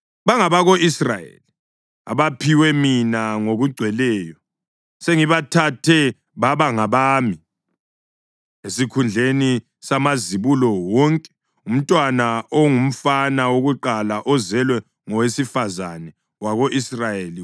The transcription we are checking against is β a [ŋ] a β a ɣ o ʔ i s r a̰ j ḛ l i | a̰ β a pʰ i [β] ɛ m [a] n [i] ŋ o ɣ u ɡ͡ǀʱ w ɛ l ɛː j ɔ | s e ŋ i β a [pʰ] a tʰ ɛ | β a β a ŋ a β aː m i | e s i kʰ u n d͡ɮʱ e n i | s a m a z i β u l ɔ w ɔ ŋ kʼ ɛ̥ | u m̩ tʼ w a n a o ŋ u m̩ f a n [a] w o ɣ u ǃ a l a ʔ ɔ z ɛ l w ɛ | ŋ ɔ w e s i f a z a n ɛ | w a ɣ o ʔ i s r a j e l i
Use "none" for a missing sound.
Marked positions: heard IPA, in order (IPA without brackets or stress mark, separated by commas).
ŋ, w, i, a, tʰ, a